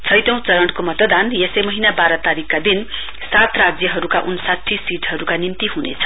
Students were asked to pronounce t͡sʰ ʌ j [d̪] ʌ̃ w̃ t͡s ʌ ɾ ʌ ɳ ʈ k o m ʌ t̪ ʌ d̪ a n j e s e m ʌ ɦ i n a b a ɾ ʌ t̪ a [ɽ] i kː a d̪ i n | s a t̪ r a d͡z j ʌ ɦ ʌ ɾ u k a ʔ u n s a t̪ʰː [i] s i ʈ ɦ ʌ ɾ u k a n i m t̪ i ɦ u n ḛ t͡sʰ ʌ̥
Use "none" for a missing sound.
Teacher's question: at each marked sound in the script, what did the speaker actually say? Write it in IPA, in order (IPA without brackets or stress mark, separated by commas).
t̪, ɾ, i